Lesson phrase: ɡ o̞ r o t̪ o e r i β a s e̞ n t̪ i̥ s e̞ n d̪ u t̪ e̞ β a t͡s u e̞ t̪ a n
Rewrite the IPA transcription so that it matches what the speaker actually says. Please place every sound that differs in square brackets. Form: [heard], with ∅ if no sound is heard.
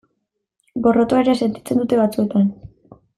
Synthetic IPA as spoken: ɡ o̞ r o t̪ o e [ɾ] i [∅] a s e̞ n t̪ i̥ [t͡s] e̞ n d̪ u t̪ e̞ β a t͡s u e̞ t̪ a n